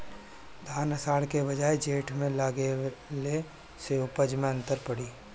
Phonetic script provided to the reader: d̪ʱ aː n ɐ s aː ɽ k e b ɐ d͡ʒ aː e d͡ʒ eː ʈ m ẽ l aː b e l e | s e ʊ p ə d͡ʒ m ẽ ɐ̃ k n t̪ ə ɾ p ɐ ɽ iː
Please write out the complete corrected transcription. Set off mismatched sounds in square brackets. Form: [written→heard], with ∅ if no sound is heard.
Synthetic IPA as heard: d̪ʱ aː n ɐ s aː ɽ k e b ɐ d͡ʒ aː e d͡ʒ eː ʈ m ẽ l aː [b→ɡ] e l e | s e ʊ p ə d͡ʒ m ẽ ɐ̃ [k→∅] n t̪ ə ɾ p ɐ ɽ iː